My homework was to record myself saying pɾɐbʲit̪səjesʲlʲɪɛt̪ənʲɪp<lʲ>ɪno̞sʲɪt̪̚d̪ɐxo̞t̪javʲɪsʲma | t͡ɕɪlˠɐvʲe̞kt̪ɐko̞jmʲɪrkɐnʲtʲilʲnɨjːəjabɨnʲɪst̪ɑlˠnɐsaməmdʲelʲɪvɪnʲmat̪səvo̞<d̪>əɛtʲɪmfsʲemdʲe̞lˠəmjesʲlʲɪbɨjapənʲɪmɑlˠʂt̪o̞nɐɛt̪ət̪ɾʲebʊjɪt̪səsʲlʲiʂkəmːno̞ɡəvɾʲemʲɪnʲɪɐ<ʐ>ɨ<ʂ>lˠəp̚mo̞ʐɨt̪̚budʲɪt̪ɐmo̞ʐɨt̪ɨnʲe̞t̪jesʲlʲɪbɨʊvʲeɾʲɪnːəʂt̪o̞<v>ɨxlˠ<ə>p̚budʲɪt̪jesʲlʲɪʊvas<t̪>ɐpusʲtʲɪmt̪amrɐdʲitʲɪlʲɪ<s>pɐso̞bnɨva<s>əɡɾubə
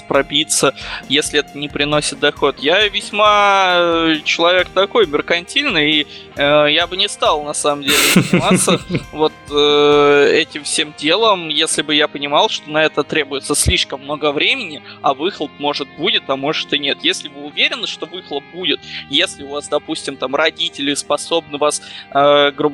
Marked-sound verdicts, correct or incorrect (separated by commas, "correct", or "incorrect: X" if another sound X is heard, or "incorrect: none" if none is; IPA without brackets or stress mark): incorrect: ɾʲ, incorrect: t̪, incorrect: v, incorrect: x, correct, correct, incorrect: d̪, correct, correct